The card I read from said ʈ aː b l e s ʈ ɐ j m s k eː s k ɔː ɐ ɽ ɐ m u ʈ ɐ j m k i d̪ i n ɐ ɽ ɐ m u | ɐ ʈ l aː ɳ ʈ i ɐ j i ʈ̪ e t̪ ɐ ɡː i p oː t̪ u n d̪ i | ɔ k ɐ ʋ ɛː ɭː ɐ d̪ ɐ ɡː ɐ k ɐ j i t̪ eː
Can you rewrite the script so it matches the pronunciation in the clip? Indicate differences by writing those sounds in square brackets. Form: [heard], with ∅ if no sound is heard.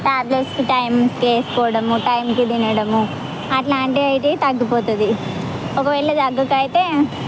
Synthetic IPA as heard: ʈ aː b l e s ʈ ɐ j m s k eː s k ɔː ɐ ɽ ɐ m u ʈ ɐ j m k i d̪ i n ɐ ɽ ɐ m u | ɐ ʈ l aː ɳ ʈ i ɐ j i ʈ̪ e t̪ ɐ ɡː i p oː t̪ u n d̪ i | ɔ k ɐ ʋ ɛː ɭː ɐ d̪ ɐ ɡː ɐ k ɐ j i t̪ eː